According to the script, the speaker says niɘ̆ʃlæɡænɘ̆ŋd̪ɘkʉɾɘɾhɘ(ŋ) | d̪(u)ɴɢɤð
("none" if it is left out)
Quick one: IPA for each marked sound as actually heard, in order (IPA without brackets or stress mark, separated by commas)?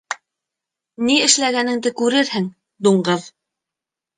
ŋ, u